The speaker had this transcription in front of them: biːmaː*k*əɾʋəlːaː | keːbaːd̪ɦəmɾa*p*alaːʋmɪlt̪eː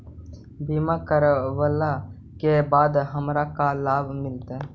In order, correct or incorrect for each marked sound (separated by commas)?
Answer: correct, incorrect